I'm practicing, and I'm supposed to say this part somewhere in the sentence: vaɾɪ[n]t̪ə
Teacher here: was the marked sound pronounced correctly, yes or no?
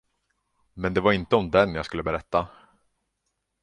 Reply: yes